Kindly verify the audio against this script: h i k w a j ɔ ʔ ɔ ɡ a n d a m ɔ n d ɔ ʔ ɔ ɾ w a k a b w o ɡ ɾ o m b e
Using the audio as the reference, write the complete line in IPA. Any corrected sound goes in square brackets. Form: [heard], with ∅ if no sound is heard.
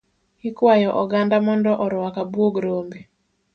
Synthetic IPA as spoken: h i k w a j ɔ ʔ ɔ ɡ a n d a m ɔ n d ɔ ʔ ɔ ɾ w a k a b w o ɡ ɾ o m b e